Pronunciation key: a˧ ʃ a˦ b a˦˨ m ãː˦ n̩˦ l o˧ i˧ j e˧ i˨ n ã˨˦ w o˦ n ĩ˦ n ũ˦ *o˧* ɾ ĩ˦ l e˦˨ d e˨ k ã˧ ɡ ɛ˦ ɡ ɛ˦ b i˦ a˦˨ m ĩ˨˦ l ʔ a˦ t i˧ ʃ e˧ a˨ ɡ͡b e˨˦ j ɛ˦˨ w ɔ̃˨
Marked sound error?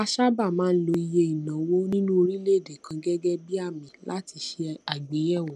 no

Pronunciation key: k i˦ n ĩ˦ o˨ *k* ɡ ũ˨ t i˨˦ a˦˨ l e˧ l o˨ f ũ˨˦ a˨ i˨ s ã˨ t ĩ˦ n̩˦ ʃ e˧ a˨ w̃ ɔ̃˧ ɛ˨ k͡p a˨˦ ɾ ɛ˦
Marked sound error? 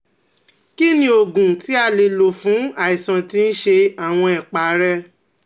yes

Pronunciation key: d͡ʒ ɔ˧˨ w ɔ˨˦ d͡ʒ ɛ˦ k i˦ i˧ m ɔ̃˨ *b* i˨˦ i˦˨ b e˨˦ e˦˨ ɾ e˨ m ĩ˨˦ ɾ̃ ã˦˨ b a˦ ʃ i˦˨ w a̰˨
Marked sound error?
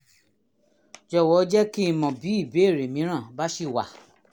no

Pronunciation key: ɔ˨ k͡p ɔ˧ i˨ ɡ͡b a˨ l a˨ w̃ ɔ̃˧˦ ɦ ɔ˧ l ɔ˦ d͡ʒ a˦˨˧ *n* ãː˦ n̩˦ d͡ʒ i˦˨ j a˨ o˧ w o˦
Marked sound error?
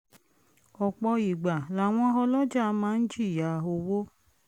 yes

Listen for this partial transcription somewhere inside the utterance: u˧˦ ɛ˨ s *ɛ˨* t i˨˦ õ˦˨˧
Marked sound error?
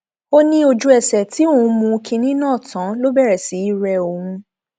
no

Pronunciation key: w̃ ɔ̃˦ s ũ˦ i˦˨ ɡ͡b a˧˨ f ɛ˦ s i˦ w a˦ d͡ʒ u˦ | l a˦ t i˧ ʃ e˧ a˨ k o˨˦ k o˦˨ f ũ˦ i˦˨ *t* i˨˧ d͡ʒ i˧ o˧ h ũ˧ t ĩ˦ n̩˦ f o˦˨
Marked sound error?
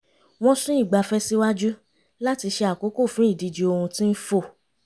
yes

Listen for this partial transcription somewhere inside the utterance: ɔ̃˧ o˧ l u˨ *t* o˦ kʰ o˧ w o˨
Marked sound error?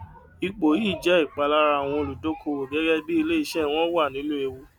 yes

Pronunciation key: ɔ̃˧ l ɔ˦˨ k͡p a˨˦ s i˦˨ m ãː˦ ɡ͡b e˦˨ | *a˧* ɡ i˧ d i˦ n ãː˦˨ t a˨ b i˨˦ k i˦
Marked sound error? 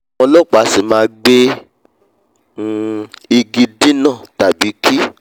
yes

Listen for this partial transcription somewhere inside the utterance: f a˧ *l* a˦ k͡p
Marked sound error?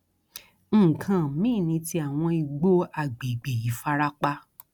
yes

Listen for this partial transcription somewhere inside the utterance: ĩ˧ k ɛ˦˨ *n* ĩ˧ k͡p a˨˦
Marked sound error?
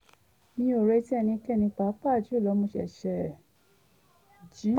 no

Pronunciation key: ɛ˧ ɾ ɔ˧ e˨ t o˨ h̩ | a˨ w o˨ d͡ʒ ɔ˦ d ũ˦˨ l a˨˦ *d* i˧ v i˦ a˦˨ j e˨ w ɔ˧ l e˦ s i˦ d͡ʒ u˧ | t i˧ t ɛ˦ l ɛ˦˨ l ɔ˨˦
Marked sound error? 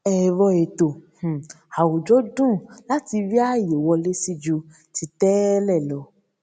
yes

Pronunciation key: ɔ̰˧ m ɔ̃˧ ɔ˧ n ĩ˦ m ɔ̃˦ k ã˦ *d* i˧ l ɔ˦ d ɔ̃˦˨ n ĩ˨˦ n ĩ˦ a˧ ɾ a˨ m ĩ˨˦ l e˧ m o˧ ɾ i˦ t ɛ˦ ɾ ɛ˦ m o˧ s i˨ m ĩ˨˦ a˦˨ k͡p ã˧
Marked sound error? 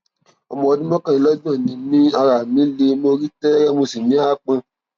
yes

